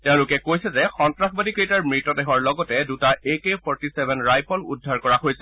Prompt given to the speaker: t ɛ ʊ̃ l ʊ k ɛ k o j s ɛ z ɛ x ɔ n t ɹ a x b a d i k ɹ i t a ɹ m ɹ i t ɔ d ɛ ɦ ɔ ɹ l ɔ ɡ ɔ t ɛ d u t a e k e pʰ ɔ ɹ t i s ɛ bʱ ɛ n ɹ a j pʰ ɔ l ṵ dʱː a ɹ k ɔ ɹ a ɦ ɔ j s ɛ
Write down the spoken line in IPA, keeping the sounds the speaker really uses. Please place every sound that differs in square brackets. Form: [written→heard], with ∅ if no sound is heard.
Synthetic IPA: t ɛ ʊ̃ l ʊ k ɛ k o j s ɛ z ɛ x ɔ n t ɹ a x b a d i k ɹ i t a ɹ m ɹ i t ɔ d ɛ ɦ ɔ ɹ l ɔ ɡ ɔ t ɛ d u t a e k e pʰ ɔ ɹ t i s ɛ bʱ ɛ n ɹ a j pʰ ɔ l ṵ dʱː a ɹ k ɔ ɹ a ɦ [ɔ→o] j s ɛ